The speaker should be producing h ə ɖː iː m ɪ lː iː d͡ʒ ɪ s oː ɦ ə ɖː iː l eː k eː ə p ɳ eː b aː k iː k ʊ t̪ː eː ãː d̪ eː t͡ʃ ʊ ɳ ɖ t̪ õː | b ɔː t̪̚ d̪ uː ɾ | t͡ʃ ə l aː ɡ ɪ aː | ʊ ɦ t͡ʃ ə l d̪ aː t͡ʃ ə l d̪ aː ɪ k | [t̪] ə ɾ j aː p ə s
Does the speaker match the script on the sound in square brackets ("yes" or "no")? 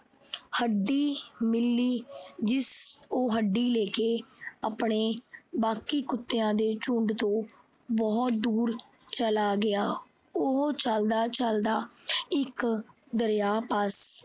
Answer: no